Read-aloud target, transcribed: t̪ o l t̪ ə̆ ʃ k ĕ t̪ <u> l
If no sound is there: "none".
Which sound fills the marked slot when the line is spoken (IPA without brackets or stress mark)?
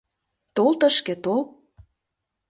o